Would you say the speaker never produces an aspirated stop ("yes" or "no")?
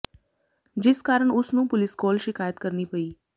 yes